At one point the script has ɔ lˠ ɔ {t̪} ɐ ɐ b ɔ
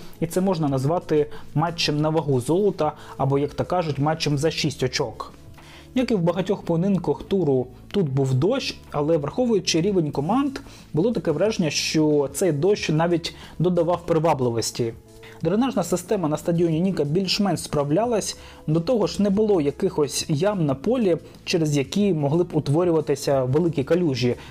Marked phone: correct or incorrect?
correct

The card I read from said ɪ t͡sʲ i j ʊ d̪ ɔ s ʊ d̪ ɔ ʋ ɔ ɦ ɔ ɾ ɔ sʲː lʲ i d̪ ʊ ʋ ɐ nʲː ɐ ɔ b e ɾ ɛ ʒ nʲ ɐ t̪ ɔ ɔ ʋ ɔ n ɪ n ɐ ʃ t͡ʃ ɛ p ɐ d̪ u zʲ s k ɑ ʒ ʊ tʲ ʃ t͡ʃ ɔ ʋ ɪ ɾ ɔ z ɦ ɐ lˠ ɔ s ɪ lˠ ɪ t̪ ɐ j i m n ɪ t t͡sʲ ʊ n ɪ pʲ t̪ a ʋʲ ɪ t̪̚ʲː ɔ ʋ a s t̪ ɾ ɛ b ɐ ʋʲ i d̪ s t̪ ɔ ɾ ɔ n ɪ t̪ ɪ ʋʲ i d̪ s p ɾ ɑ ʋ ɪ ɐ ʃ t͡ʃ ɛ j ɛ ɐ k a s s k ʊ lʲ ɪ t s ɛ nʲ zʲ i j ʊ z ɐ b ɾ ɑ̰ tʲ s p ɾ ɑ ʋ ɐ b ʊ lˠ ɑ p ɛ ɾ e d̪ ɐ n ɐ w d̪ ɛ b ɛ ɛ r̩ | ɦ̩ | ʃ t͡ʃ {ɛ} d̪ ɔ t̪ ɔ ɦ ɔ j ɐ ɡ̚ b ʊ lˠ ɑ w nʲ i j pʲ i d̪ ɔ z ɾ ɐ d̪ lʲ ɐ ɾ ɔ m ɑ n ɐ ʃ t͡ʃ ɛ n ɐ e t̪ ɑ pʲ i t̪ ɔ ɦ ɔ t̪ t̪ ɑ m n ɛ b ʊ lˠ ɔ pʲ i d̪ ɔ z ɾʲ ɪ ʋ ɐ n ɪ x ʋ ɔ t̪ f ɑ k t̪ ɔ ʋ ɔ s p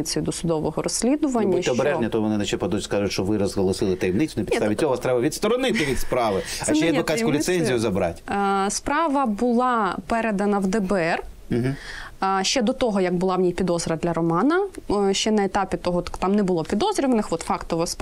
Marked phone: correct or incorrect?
correct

